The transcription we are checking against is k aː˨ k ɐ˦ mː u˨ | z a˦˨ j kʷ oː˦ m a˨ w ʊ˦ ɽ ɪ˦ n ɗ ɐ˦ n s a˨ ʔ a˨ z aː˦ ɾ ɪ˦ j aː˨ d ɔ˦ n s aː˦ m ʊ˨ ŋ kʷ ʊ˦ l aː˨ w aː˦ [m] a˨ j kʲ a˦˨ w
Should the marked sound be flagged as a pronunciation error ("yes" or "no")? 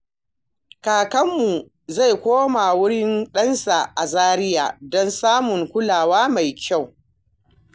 no